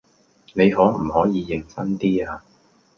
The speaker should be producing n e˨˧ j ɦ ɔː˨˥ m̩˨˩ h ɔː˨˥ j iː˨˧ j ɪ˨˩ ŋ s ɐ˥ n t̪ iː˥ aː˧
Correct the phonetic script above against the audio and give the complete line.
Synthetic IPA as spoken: n e˨˧ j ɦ ɔː˨˥ m̩˨˩ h ɔː˨˥ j iː˨˧ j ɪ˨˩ ŋ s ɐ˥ n t̪ iː˥ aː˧